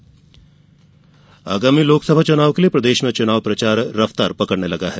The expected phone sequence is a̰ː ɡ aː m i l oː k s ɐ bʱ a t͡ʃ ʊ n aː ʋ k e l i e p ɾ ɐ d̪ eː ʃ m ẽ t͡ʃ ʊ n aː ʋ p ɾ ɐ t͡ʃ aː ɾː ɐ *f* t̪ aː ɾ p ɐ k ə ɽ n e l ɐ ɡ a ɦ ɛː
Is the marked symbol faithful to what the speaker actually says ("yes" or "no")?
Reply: yes